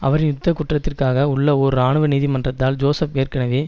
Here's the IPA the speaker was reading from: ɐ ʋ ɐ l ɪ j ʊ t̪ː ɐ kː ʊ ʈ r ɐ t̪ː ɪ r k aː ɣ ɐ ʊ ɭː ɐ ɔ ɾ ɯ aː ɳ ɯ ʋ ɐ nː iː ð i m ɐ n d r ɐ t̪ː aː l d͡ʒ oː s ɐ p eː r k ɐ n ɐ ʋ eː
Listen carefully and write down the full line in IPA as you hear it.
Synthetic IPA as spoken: ɐ ʋ ɐ ɾ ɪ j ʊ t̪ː ɐ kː ʊ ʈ r ɐ t̪ː ɪ r k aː ɣ ɐ ʊ ɭː ɐ ɔ ɾ ɯ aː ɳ ɯ ʋ ɐ n iː ð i m ɐ n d r ɐ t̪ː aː l d͡ʒ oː s ɐ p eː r k ɐ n ɐ ʋ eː